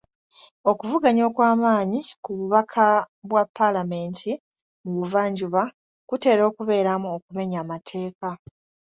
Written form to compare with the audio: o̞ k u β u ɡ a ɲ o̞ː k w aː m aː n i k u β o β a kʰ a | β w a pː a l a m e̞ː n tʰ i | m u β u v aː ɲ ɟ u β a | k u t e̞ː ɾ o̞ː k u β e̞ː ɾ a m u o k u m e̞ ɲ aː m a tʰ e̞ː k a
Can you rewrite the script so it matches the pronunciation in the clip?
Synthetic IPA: o̞ k u v u ɡ a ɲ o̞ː k w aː m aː ɲ i k u β u β a kʰ a | β w a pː a l a m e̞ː n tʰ i | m u β u v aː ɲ ɟ u β a | k u t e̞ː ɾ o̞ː k u β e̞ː ɾ a m u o k u m e̞ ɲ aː m a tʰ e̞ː k a

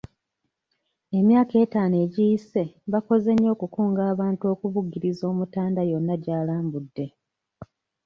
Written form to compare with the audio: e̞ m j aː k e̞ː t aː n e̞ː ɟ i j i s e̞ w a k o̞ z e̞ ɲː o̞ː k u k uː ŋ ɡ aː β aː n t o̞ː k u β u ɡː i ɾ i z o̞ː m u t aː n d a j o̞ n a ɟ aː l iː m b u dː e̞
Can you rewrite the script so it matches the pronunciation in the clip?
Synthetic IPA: e̞ m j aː k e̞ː t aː n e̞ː ɟ i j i s e̞ β a k o̞ z e̞ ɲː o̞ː k u k uː ŋ ɡ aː β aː n t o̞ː k u β u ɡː i ɾ i z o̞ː m u t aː n d a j o̞ nː a ɟ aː l aː m b u dː e̞

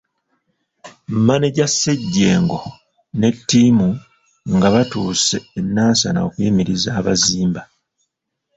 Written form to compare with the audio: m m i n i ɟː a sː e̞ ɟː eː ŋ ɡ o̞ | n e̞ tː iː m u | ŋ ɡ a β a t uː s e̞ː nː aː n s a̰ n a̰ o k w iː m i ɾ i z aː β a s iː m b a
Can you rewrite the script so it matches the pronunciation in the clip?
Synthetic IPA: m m a n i ɟ a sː e̞ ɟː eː ŋ ɡ o̞ | n e̞ tː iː m u | ŋ ɡ a β a t uː s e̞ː nː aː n s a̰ n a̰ o k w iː m i ɾ i z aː β a z iː m b a

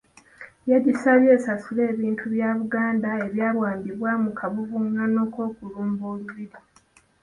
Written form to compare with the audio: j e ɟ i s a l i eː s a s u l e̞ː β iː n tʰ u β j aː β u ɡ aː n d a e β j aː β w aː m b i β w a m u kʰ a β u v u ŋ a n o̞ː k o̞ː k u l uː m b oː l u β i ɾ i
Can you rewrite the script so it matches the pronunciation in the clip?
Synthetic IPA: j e ɟ i s a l j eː s a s u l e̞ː β iː n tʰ u β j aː β u ɡ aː n d a e β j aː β w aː m b i β w a m u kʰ a β u v u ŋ a n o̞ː k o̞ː k u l uː m b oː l u β i ɾ i

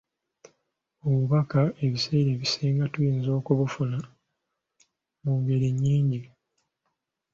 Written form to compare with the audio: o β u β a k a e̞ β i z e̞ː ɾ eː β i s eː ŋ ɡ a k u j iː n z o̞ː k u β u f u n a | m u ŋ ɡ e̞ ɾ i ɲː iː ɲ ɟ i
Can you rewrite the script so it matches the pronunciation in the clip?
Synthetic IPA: o β u β a k a e̞ β i s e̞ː ɾ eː β i s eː ŋ ɡ a t u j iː n z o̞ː k u β u f u n a | m u ŋ ɡ e̞ ɾ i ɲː iː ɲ ɟ i

